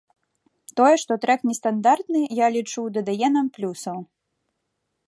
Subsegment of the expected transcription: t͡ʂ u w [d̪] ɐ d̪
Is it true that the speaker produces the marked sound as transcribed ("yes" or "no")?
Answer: yes